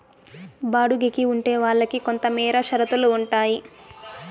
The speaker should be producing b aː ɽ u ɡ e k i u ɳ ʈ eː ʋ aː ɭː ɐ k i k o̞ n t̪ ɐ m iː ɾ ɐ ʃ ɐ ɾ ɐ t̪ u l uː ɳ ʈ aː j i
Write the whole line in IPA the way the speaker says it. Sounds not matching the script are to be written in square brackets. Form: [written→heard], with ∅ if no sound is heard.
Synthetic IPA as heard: b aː ɽ u ɡ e k i u ɳ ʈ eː ʋ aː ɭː ɐ k i k o̞ n t̪ ɐ m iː ɾ ɐ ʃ ɐ ɾ ɐ t̪ u l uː ɳ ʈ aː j i